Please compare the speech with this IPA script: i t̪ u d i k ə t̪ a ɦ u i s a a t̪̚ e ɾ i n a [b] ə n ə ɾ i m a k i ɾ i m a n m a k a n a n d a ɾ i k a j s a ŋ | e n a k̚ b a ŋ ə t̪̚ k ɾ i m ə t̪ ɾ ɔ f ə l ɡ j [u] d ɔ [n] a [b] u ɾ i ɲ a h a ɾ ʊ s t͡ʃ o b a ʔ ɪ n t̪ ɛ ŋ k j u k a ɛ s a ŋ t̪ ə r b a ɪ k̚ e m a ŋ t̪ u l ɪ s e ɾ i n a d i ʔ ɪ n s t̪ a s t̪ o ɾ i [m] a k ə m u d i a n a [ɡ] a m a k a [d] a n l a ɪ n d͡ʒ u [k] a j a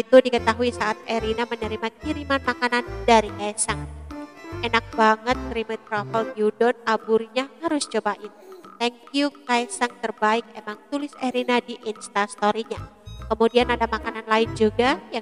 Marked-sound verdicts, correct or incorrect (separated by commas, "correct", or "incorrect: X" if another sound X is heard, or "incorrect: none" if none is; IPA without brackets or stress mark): incorrect: m, correct, correct, correct, incorrect: ɲ, incorrect: d, incorrect: n, incorrect: ɡ